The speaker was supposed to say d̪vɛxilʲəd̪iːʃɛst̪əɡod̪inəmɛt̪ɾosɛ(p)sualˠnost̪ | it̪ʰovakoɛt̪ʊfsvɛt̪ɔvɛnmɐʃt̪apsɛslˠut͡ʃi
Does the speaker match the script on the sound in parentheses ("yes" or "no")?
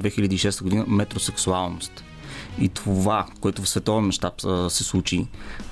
no